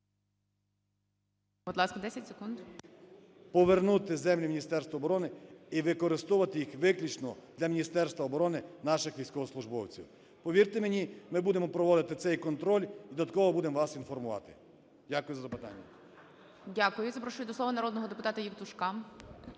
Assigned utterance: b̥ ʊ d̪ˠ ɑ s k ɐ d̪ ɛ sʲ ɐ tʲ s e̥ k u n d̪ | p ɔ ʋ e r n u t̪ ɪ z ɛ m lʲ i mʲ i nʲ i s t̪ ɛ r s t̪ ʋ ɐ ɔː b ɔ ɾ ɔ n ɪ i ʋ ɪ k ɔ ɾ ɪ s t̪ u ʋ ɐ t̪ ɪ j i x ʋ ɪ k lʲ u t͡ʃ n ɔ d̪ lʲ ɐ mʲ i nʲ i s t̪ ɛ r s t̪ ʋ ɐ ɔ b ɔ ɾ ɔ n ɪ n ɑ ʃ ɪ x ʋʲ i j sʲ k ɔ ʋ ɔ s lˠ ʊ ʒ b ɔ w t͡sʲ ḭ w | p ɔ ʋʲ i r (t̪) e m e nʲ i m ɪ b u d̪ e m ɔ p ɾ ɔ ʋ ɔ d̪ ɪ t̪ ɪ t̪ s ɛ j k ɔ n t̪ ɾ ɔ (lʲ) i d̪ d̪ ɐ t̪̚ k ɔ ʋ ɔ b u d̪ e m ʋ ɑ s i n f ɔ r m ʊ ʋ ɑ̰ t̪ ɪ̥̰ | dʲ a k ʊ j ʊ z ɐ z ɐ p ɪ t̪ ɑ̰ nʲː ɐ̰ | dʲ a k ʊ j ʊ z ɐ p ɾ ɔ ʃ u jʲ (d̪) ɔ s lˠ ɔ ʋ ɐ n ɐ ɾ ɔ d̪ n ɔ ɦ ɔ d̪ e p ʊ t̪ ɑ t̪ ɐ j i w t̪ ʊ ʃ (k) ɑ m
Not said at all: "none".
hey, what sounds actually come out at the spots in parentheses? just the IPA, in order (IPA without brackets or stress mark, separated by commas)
t̪, lʲ, d̪, k